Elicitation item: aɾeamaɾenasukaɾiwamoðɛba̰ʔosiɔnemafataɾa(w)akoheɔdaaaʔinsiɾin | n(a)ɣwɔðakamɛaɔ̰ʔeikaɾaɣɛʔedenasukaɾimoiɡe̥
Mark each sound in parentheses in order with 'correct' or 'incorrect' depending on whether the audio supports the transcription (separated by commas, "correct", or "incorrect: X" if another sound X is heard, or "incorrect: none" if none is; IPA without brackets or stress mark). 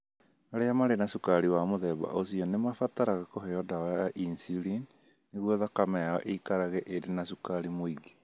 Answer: incorrect: ɣ, incorrect: e